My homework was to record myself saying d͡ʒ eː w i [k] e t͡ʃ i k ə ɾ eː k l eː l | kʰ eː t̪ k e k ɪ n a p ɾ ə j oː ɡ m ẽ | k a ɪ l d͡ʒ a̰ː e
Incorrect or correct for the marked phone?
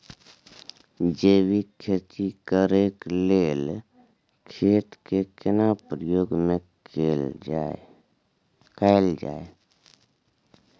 incorrect: kʰ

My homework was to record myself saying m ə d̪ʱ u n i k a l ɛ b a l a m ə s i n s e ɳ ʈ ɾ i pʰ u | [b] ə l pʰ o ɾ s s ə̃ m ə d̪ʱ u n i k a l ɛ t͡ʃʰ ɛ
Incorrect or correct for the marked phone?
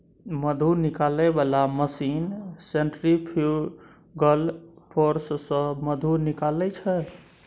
incorrect: ɡ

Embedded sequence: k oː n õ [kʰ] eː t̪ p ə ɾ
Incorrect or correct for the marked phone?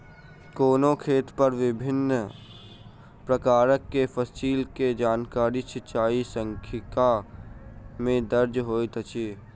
correct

